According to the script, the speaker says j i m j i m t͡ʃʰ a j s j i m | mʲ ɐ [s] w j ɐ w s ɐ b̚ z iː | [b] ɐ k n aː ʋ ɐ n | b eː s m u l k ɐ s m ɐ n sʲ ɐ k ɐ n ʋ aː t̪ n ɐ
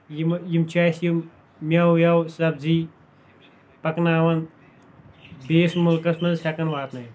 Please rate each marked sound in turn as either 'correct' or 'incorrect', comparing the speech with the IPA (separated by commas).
incorrect, incorrect